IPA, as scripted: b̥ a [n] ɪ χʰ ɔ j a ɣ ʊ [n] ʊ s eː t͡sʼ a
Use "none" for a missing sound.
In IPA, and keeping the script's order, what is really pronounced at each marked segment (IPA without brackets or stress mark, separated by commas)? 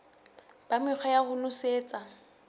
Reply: m, n